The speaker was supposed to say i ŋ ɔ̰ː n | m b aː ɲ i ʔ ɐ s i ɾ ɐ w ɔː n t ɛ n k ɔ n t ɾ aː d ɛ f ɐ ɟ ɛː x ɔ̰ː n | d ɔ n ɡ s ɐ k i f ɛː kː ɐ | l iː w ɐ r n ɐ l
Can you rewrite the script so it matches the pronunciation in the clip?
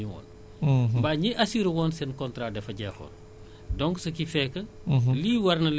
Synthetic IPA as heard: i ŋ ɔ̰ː n | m b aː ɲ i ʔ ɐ s i ɾ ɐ w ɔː n s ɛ n k ɔ n t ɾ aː d ɛ f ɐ ɟ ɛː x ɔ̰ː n | d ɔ ŋ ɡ s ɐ k i f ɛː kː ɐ | l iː w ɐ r n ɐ l